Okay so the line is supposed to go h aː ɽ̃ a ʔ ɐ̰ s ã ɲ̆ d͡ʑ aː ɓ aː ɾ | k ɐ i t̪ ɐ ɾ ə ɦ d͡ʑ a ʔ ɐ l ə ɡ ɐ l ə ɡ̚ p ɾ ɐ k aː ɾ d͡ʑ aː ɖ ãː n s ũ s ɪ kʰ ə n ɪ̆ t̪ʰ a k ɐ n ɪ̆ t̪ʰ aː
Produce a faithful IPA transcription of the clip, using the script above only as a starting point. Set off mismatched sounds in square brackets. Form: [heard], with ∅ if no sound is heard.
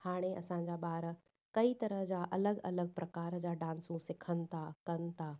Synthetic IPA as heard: h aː ɽ̃ [e] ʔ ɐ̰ s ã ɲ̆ d͡ʑ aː ɓ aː ɾ | k ɐ i t̪ ɐ ɾ ə ɦ d͡ʑ a ʔ ɐ l ə ɡ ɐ l ə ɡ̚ p ɾ ɐ k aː ɾ d͡ʑ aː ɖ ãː n s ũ s ɪ kʰ ə n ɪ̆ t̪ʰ a k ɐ n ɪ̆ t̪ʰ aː

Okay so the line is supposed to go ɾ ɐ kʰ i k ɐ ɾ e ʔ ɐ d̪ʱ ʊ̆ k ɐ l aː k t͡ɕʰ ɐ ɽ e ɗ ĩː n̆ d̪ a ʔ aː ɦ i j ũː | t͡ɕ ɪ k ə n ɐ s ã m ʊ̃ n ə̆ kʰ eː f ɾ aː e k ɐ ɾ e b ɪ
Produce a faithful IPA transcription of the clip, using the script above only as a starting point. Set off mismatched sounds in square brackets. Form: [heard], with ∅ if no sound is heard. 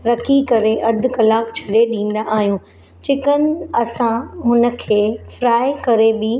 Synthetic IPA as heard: ɾ ɐ kʰ i k ɐ ɾ e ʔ ɐ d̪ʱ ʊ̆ k ɐ l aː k t͡ɕʰ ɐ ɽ e ɗ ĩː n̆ d̪ a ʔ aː ɦ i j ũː | t͡ɕ ɪ k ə n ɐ s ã m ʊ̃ n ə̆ kʰ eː f ɾ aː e k ɐ ɾ e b ɪ

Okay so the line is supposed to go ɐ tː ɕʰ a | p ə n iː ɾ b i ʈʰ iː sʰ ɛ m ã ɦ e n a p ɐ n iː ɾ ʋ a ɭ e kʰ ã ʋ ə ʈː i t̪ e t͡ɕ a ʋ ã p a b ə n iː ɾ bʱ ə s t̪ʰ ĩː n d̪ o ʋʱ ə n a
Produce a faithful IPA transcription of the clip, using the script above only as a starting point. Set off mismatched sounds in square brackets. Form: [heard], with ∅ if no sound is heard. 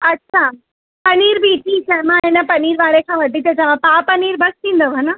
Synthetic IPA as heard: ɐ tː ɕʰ a | p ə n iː ɾ b i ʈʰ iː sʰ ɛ m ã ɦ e n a p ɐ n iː ɾ ʋ a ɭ e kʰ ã ʋ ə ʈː i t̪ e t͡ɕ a ʋ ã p a [p] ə n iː ɾ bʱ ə s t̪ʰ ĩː n d̪ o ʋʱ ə n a

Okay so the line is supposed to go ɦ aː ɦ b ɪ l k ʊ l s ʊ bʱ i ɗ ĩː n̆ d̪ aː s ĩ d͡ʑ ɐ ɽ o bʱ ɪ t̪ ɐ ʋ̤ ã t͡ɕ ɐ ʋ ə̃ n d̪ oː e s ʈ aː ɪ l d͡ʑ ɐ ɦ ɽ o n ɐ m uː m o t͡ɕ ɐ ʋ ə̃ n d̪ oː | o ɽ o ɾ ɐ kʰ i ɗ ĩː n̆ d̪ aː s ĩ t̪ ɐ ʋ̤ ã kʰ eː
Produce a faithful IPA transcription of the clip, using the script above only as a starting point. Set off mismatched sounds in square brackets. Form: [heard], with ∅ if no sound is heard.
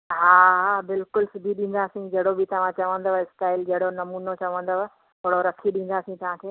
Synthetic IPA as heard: ɦ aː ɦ b ɪ l k ʊ l s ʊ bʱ i ɗ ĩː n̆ d̪ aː s ĩ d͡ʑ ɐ ɽ o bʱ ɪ t̪ ɐ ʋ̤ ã t͡ɕ ɐ ʋ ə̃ n d̪ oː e s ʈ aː ɪ l d͡ʑ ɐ ɦ ɽ o n ɐ m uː [n] o t͡ɕ ɐ ʋ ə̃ n d̪ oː | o ɽ o ɾ ɐ kʰ i ɗ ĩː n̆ d̪ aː s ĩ t̪ ɐ ʋ̤ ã kʰ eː

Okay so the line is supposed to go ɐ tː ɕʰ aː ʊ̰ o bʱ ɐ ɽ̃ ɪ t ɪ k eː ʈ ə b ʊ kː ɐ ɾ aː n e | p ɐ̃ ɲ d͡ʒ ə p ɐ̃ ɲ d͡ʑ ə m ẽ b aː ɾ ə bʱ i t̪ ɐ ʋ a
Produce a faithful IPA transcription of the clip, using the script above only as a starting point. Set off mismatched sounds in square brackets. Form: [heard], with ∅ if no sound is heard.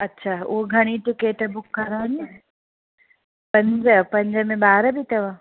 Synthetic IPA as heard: ɐ tː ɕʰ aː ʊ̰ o [ɡʱ] ɐ ɽ̃ [i] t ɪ k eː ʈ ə b ʊ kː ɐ ɾ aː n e | p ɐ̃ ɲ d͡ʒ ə p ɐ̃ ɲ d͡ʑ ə m ẽ b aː ɾ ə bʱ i t̪ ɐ ʋ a

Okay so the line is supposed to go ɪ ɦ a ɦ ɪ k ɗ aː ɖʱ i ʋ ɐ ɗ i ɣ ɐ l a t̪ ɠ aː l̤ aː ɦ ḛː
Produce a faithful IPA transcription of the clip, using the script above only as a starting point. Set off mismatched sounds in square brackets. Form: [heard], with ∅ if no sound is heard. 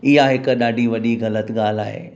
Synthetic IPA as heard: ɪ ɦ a ɦ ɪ k ɗ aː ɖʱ i ʋ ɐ ɗ i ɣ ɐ l [ə] t̪ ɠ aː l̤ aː ɦ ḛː

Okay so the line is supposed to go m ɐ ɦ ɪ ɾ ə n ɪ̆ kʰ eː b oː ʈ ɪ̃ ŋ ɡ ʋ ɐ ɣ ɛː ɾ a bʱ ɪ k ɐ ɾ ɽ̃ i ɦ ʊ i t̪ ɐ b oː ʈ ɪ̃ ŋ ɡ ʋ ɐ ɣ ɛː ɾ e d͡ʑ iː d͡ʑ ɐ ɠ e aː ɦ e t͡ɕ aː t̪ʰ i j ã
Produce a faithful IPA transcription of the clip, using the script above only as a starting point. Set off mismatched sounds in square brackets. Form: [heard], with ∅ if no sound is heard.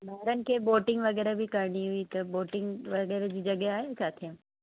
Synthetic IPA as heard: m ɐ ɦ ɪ ɾ ə n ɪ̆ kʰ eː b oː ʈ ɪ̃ ŋ ɡ ʋ ɐ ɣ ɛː ɾ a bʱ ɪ k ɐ ɾ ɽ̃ i ɦ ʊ i t̪ ɐ b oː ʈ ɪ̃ ŋ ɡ ʋ ɐ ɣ ɛː ɾ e d͡ʑ iː d͡ʑ ɐ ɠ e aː ɦ e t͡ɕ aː t̪ʰ i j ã

